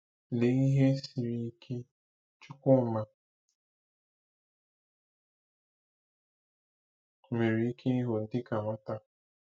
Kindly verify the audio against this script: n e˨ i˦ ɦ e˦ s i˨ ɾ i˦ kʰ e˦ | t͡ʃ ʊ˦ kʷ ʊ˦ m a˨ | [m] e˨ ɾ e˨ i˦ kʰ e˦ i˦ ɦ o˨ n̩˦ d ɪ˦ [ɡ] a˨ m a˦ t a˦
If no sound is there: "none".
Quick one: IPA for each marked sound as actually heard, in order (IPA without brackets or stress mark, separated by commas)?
m, k